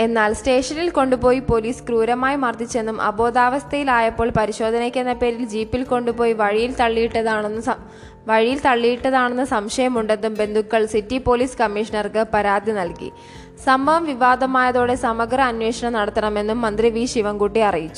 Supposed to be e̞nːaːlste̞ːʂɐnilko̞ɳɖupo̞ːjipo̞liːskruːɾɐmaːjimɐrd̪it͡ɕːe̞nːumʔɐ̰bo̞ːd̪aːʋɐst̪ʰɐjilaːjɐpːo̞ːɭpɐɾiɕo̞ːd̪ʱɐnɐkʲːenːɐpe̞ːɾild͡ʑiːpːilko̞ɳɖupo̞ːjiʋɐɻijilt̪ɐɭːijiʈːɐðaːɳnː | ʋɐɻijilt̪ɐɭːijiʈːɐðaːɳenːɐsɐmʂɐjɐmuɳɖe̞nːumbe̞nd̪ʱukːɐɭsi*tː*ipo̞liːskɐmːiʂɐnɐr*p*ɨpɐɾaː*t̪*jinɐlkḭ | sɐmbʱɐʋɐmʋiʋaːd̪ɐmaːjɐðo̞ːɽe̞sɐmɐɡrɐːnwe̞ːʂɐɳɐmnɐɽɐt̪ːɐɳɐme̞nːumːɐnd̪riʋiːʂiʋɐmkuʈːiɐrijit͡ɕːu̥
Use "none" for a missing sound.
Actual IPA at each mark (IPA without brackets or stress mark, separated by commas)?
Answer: tː, k, d̪